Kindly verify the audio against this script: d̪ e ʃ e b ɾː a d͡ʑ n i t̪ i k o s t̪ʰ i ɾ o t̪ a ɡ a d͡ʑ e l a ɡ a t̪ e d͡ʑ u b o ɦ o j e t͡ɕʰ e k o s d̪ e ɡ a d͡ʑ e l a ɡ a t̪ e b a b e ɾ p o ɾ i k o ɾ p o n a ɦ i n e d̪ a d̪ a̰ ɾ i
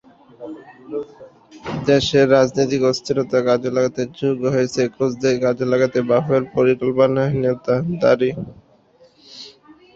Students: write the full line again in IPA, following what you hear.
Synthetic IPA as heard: d̪ e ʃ e ɾː a d͡ʑ n i t̪ i k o s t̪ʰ i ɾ o t̪ a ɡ a d͡ʑ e l a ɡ a t̪ e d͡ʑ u ɡ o ɦ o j e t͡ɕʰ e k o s d̪ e ɡ a d͡ʑ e l a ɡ a t̪ e b a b e ɾ p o ɾ i k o l p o n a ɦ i n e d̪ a d̪ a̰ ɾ i

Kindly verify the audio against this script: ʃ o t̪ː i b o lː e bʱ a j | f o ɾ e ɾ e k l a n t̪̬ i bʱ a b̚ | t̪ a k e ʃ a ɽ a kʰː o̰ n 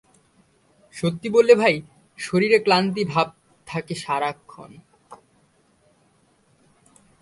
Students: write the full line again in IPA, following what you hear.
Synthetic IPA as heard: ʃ o t̪ː i b o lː e bʱ a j | ʃ o ɾ i ɾ e k l a n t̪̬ i bʱ a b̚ | t̪ʰ a k e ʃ a ɾ a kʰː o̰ n

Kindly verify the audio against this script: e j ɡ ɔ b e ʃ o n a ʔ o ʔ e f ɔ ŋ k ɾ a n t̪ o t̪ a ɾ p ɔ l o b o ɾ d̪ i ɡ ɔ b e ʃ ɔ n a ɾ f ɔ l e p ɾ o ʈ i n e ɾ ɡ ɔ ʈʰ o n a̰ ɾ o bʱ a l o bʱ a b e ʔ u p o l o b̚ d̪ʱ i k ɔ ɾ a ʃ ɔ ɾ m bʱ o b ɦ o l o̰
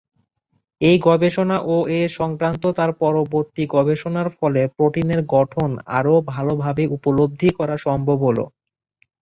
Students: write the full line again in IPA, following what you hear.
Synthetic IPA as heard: e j ɡ ɔ b e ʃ o n a ʔ o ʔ e ʃ ɔ ŋ k ɾ a n t̪ o t̪ a ɾ p ɔ ɾ o b o ɾ t̪ i ɡ ɔ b e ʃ o n a ɾ f ɔ l e p ɾ o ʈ i n e ɾ ɡ ɔ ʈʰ o n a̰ ɾ o bʱ a l o bʱ a b e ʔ u p o l o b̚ d̪ʱ i k ɔ ɾ a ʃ ɔ m bʱ o b ɦ o l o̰

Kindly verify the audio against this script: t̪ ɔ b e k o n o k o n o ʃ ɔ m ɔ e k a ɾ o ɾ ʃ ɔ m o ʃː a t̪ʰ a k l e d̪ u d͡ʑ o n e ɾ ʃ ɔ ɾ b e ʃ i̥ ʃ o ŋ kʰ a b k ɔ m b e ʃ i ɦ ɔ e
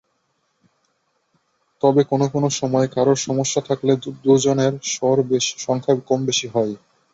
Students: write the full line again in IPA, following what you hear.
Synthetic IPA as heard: t̪ ɔ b e k o n o k o n o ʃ ɔ m ɔ e k a ɾ o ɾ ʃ ɔ m o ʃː a t̪ʰ a k l e d̪ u d͡ʑ o n e ɾ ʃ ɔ ɾ b e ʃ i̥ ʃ ɔ ŋ kʰ a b k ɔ m b e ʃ i ɦ ɔ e

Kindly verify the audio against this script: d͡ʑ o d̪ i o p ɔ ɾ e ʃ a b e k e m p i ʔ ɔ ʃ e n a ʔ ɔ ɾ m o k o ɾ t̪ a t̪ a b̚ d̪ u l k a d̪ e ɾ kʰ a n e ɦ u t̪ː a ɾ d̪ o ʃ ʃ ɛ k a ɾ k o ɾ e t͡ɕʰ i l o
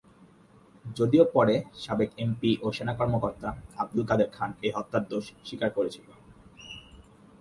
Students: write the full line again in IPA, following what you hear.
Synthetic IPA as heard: d͡ʑ o d̪ i o p ɔ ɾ e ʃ a b e k e m p i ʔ o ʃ e n a k ɔ ɾ m o k o ɾ t̪ a a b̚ d̪ u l k a d̪ e ɾ kʰ a n e ɦ ɔ t̪ː a ɾ d̪ o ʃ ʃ i k a ɾ k o ɾ e t͡ɕʰ i l o

